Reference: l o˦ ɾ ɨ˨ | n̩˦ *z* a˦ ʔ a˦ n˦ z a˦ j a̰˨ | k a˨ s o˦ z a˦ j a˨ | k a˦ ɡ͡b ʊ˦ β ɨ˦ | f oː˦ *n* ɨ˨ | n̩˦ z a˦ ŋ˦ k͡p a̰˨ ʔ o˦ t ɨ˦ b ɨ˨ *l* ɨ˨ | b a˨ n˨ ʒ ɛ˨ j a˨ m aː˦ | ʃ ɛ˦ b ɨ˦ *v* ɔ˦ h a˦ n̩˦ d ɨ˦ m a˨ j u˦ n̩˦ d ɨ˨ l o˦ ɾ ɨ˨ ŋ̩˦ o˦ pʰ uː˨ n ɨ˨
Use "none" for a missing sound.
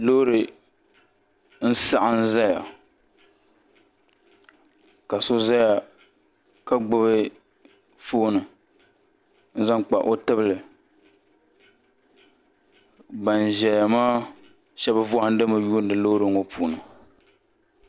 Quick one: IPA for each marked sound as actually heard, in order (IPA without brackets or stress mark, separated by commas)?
s, n, l, v